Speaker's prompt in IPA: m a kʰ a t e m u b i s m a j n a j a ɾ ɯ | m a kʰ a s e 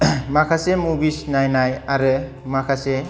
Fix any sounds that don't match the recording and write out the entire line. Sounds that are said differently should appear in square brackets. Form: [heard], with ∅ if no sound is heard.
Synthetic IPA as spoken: m a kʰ a [s] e m u b i s [n] a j n a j a ɾ ɯ | m a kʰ a s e